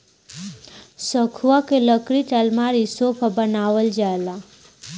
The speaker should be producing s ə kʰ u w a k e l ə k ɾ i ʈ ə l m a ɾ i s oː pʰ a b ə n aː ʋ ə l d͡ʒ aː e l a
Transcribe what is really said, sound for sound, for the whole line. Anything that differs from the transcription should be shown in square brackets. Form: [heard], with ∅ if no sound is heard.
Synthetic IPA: s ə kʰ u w a k e l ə k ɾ i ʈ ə l m a ɾ i s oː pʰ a b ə n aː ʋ ə l d͡ʒ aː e l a